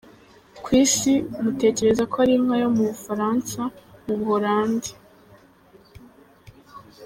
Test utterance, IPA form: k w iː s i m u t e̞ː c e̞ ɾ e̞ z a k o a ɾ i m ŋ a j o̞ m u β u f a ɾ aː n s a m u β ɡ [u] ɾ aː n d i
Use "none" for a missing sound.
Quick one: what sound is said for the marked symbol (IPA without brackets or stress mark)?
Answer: o